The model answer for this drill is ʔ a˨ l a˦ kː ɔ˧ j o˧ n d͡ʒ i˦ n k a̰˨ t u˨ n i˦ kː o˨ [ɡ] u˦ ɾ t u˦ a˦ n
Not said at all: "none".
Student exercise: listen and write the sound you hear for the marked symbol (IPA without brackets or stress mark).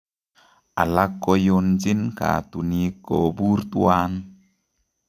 b